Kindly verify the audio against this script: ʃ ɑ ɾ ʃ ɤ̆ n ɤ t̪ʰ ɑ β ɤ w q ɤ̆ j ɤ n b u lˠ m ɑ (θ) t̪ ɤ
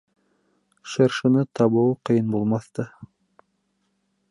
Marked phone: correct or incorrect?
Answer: correct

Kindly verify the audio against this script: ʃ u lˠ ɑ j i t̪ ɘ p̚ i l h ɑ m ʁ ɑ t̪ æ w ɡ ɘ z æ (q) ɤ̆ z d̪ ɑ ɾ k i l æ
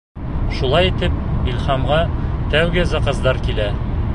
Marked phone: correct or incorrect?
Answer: correct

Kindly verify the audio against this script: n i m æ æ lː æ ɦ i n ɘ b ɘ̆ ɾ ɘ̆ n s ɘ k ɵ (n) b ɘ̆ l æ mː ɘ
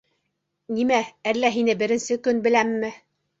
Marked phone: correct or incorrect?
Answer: correct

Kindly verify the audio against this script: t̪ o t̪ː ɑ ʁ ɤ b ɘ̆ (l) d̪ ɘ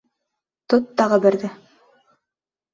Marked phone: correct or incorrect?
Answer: incorrect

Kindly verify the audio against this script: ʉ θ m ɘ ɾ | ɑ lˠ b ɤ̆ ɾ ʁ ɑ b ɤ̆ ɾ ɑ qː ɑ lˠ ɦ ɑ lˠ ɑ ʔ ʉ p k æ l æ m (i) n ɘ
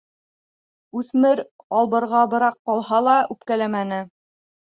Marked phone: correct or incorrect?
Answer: incorrect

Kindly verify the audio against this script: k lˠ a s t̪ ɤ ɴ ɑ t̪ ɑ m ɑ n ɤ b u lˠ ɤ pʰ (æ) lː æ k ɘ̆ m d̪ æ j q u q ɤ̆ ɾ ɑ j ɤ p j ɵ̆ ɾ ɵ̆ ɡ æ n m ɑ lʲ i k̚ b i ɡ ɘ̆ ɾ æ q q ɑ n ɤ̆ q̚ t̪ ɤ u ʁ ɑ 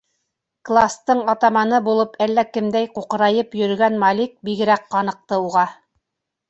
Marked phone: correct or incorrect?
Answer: correct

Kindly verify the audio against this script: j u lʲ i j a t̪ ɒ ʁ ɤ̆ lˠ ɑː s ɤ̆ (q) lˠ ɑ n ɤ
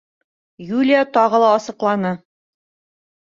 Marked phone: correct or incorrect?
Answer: correct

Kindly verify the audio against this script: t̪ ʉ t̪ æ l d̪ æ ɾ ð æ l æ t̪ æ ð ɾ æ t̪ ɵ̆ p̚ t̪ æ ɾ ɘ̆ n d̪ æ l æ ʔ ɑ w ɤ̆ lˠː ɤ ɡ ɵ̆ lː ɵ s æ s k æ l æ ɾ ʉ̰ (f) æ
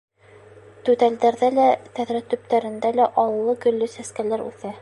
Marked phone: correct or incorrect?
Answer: incorrect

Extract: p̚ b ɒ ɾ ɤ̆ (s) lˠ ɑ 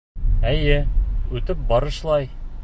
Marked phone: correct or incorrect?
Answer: incorrect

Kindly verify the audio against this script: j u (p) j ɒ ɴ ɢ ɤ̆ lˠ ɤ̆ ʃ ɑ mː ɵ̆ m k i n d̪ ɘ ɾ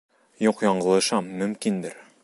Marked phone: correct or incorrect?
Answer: incorrect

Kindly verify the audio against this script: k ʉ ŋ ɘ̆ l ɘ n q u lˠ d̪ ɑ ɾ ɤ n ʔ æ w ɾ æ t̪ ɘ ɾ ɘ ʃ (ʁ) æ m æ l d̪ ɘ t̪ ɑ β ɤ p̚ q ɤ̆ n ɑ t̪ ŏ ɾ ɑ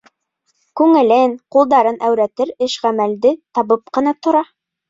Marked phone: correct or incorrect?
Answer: correct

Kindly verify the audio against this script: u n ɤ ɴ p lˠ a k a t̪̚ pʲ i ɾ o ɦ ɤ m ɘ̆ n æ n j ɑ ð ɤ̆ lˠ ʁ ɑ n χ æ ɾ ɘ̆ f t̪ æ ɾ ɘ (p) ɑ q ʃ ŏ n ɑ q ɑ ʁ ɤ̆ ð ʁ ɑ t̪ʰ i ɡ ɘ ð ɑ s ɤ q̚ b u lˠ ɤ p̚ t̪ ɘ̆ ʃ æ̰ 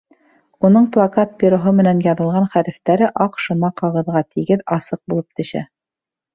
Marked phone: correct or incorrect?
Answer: incorrect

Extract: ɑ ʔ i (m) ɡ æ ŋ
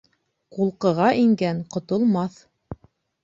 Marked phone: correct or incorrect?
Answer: incorrect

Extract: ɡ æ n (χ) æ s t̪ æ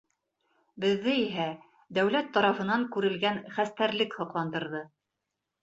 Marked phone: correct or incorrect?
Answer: correct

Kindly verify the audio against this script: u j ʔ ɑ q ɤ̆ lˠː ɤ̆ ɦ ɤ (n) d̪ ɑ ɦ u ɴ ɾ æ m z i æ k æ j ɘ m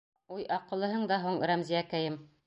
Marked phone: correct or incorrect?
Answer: incorrect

